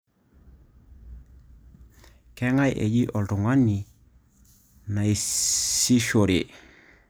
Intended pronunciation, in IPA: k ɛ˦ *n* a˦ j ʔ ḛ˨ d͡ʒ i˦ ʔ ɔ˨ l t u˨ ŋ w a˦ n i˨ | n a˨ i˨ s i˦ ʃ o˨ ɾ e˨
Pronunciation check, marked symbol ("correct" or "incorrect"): incorrect